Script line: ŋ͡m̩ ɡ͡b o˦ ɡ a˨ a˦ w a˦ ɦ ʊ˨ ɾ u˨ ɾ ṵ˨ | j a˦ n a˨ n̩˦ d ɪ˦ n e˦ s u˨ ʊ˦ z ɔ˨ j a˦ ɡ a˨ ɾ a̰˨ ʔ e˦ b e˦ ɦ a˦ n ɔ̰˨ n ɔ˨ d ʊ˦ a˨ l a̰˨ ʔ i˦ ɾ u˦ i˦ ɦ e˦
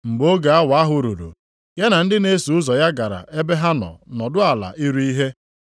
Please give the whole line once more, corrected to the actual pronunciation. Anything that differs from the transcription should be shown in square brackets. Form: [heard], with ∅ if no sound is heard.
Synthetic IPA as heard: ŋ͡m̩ ɡ͡b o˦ ɡ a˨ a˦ w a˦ ɦ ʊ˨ ɾ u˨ ɾ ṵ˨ | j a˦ n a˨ n̩˦ d ɪ˦ n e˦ s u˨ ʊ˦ z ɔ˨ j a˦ ɡ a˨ ɾ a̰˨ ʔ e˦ b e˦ ɦ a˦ n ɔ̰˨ n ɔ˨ d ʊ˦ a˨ l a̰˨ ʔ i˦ ɾ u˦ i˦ ɦ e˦